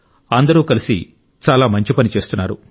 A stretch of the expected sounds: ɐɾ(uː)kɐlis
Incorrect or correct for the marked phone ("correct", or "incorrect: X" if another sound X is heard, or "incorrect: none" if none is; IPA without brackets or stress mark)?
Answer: correct